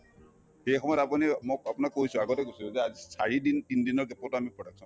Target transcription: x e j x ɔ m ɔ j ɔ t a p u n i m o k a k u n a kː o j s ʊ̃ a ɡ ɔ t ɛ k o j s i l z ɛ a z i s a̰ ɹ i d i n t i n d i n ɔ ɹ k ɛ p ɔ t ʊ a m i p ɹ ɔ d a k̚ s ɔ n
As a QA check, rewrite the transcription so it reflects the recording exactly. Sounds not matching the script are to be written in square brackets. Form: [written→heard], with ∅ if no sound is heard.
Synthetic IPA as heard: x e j x ɔ m ɔ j ɔ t a p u n i m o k a [k→p] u n a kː o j s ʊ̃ a ɡ ɔ t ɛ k o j s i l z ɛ a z i s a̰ ɹ i d i n t i n d i n ɔ ɹ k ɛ p ɔ t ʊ a m i p ɹ ɔ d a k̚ s ɔ n